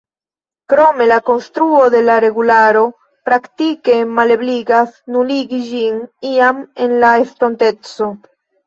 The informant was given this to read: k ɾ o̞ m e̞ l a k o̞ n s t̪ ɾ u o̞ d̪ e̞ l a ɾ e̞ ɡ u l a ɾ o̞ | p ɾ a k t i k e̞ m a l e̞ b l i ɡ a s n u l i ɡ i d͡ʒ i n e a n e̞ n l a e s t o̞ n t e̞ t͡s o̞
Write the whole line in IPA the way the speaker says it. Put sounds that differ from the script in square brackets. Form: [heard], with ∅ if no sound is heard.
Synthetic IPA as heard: k ɾ o̞ m e̞ l a k o̞ n s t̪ ɾ u o̞ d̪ e̞ l a ɾ e̞ ɡ u l a ɾ o̞ | p ɾ a k t i k e̞ m a l e̞ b l i ɡ a s n u l i ɡ i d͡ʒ i n [i] a [m] e̞ n l a e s t o̞ n t e̞ t͡s o̞